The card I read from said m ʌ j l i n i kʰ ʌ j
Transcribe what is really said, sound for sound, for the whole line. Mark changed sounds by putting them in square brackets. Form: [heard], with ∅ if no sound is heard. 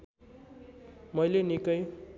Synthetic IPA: m ʌ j l [e] n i [k] ʌ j